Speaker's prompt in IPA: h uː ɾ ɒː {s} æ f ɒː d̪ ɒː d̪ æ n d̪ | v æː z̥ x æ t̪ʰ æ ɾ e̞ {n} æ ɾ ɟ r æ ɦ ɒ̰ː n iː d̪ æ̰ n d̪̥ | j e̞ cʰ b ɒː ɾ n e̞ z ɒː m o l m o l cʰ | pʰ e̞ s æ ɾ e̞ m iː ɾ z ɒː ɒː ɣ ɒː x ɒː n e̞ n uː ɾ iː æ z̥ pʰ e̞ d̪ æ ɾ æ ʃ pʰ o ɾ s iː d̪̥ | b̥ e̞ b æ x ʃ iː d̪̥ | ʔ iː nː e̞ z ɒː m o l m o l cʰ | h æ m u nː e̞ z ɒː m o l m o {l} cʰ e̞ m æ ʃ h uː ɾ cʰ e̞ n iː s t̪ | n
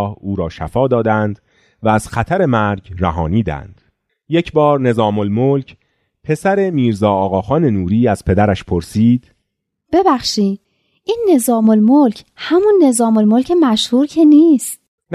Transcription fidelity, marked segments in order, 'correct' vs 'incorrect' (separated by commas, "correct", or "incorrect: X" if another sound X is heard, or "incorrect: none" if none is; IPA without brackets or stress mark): incorrect: ʃ, incorrect: m, correct